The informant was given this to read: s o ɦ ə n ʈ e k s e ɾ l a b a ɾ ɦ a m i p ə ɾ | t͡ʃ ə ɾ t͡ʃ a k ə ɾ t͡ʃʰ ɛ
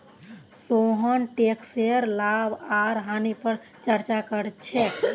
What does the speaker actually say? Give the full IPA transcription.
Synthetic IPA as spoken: s o ɦ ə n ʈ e k s e ɾ l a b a ɾ ɦ a n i p ə ɾ | t͡ʃ ə ɾ t͡ʃ a k ə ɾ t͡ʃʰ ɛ